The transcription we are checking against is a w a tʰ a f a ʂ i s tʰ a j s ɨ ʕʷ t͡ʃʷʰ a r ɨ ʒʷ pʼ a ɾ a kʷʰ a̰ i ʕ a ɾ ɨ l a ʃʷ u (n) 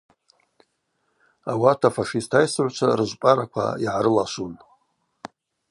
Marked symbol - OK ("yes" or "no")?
yes